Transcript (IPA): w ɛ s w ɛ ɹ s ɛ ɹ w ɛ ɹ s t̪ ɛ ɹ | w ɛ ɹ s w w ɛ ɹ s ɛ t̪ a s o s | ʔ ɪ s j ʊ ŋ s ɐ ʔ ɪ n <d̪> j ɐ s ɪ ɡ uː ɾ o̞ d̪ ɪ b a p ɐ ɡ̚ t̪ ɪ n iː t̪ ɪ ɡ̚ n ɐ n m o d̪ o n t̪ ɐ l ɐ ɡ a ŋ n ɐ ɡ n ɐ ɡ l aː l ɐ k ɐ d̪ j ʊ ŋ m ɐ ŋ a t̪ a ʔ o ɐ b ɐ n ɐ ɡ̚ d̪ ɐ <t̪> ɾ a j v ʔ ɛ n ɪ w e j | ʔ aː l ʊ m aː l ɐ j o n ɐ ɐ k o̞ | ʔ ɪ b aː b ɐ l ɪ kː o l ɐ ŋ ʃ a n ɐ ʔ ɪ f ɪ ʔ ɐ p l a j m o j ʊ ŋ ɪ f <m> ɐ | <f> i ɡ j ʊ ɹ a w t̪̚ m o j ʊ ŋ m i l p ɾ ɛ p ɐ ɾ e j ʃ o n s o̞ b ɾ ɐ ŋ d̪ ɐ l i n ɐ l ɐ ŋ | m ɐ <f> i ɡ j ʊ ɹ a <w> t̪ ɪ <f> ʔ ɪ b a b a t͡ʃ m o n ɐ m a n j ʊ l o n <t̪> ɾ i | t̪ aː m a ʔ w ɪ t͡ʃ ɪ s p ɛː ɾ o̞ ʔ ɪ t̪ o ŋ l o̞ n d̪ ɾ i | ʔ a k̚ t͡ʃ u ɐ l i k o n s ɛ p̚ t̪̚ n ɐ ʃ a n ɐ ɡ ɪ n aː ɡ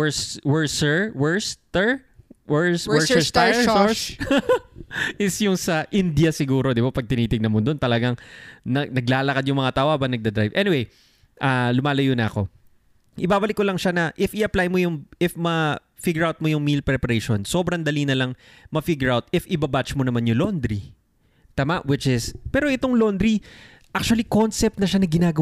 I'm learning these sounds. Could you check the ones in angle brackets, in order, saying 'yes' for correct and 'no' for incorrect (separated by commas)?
yes, no, yes, yes, yes, yes, yes, no